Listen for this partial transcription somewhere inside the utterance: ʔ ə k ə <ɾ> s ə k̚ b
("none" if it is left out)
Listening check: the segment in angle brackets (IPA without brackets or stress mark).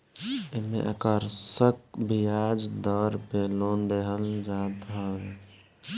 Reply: ɾ